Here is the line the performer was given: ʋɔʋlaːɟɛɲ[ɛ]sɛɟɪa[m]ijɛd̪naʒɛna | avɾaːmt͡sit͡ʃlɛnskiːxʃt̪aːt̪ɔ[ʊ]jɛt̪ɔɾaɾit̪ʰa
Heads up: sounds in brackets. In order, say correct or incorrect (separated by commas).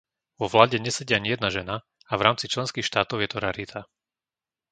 correct, incorrect, correct